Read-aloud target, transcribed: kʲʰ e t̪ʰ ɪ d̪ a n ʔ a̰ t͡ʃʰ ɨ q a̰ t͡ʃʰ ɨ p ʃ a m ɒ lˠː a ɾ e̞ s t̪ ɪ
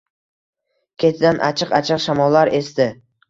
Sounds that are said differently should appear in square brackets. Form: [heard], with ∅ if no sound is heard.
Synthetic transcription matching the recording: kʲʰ e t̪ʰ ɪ d̪ a n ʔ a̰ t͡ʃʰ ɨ q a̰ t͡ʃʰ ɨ [q] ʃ a m ɒ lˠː a ɾ e̞ s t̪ ɪ